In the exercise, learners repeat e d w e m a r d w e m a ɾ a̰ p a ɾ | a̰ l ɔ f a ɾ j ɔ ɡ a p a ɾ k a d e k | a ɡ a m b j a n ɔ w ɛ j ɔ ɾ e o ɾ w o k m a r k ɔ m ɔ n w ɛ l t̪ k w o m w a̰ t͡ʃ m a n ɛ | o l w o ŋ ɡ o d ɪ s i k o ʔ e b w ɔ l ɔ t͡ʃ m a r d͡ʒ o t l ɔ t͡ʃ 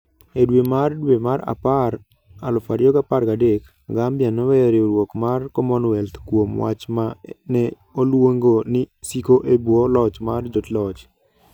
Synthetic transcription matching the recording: e d w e m a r d w e m a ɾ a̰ p a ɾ | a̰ l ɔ f a ɾ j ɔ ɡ a p a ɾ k a d e k | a ɡ a m b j a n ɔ w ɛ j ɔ ɾ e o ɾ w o k m a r k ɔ m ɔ n w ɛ l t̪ k w o m w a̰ t͡ʃ m a n ɛ | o l w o ŋ ɡ o n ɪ s i k o ʔ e b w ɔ l ɔ t͡ʃ m a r d͡ʒ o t l ɔ t͡ʃ